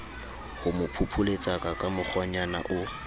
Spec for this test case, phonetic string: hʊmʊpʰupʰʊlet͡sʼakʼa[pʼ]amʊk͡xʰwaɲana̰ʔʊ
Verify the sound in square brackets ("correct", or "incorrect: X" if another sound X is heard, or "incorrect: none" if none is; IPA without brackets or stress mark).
incorrect: kʼ